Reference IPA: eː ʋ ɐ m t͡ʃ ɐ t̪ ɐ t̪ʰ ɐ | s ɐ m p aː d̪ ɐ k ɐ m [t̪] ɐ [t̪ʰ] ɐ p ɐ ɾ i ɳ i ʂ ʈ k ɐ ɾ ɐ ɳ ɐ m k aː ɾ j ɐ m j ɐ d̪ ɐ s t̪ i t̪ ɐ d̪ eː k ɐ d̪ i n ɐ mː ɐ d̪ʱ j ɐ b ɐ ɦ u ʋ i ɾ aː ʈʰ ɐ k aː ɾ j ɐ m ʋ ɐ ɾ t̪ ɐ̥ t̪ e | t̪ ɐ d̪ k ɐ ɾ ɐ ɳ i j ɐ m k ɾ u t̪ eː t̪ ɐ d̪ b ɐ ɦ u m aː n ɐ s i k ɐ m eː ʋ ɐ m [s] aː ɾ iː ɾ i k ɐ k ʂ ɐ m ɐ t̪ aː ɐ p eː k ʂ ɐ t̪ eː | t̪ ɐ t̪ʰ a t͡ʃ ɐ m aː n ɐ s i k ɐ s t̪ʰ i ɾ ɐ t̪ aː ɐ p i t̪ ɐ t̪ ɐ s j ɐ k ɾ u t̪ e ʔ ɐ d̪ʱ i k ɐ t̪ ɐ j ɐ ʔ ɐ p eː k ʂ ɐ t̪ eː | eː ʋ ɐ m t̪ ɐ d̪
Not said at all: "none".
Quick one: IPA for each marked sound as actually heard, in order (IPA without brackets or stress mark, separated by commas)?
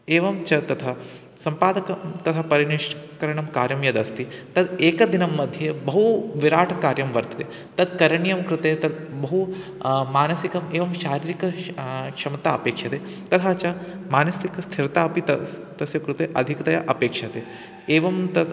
t̪, t̪ʰ, ʃ